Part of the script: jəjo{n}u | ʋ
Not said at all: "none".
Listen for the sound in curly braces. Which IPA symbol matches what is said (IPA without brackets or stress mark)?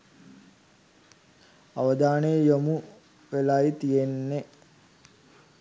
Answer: m